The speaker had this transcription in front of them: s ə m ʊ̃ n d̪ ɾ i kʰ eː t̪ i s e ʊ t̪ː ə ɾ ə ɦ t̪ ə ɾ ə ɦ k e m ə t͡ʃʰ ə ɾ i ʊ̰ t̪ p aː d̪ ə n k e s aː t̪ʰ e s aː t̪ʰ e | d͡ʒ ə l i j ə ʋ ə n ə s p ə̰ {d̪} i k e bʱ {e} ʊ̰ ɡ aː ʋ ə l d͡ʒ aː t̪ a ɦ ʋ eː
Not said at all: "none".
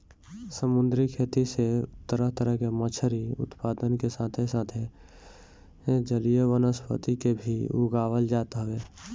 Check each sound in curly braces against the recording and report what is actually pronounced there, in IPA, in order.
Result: t̪, i

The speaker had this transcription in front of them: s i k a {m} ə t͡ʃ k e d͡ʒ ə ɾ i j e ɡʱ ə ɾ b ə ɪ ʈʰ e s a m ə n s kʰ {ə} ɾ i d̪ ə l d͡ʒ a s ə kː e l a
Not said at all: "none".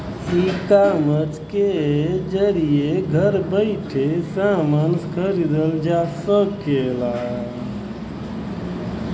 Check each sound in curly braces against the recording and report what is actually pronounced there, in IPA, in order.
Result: m, ə

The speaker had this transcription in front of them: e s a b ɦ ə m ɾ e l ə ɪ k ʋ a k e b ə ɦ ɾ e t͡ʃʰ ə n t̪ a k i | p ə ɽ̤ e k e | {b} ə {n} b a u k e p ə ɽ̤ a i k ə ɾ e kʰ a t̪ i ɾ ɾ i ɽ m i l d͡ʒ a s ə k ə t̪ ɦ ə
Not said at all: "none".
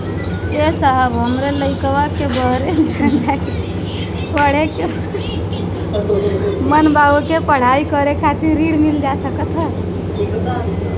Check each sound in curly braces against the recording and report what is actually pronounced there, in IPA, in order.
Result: m, n

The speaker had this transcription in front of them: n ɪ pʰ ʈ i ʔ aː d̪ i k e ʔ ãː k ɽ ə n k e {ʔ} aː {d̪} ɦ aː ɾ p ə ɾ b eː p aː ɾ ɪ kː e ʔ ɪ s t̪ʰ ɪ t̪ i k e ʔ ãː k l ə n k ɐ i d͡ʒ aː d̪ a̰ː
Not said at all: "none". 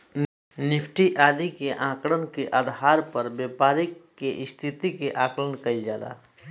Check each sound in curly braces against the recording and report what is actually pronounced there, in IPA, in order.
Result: ʔ, d̪

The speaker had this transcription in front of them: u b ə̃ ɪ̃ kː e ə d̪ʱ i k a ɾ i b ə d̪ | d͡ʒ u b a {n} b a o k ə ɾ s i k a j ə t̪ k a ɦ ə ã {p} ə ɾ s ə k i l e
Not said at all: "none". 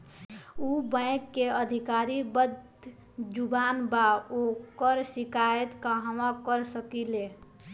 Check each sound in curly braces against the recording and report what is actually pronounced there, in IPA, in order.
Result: n, k

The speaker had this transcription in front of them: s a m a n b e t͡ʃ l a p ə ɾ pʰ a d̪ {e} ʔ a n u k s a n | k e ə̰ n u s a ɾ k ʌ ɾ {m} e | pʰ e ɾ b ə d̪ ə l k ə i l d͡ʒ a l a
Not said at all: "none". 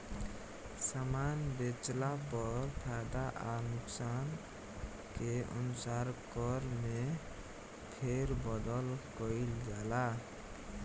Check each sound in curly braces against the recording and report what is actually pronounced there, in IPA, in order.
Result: a, m

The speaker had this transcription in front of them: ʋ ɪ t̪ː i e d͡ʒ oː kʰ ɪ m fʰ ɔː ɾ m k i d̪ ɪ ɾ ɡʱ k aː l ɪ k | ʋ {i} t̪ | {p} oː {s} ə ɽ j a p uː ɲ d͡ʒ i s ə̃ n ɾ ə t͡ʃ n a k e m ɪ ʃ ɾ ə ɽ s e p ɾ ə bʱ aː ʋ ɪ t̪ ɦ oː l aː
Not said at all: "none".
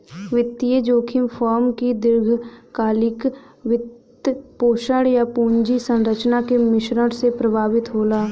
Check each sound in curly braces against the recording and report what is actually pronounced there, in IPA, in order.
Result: ɪ, p, ʃ

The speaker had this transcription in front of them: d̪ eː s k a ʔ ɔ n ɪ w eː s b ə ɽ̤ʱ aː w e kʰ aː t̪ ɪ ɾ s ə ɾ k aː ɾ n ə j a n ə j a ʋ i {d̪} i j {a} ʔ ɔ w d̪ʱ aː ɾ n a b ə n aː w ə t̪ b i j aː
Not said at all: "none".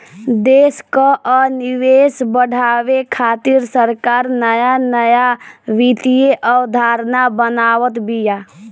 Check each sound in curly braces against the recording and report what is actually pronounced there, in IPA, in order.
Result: t̪, e

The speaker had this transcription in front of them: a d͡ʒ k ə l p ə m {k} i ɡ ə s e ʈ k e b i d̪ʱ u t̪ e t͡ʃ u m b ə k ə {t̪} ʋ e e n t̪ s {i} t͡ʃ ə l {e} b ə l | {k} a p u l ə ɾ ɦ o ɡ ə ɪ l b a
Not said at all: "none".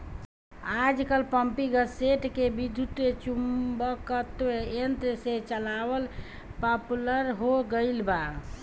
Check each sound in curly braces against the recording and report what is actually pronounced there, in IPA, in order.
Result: p, t̪, e, a, p

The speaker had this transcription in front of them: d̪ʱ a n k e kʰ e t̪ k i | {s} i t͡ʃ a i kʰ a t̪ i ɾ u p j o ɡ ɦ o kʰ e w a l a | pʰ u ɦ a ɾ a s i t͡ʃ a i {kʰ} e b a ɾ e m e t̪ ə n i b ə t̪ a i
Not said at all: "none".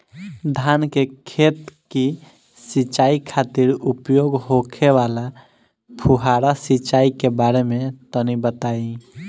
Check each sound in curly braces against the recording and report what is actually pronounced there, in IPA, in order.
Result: s, k

